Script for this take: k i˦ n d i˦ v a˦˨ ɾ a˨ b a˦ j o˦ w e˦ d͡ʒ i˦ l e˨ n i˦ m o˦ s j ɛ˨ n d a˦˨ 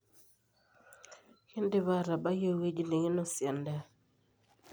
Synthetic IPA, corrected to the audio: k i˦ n d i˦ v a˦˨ ɾ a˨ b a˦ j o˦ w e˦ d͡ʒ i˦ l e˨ ŋ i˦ n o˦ s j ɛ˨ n d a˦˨